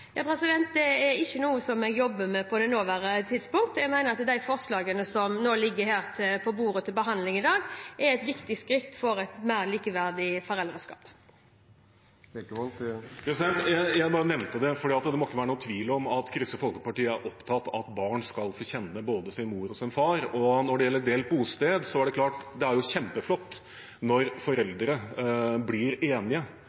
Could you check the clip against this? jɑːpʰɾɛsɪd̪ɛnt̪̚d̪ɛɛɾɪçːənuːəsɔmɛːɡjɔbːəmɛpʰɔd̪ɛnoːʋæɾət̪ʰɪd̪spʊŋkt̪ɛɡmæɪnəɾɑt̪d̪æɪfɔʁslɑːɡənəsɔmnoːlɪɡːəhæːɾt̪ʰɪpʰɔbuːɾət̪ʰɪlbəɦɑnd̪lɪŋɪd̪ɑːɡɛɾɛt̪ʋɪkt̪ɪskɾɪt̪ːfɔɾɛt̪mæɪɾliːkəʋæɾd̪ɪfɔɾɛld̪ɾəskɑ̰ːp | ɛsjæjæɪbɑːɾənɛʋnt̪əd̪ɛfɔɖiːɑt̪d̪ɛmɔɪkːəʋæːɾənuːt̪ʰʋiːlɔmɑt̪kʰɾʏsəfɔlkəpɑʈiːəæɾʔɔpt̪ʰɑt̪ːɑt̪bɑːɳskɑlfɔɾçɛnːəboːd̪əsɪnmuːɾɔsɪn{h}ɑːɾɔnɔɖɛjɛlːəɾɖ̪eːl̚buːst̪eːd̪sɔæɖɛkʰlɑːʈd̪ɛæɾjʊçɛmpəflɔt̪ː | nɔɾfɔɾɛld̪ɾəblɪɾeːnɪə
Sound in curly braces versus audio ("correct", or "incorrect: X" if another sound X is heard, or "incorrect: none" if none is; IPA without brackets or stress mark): incorrect: f